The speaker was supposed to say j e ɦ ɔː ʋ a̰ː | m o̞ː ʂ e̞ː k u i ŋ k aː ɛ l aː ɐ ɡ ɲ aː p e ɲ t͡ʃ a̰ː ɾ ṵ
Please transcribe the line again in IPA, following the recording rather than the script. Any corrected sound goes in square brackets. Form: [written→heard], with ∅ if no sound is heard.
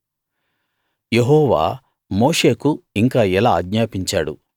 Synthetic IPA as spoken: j e ɦ ɔː ʋ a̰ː | m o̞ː ʂ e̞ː k u i ŋ k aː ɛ l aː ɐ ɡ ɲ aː p [e→i] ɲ t͡ʃ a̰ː [ɾ→ɽ] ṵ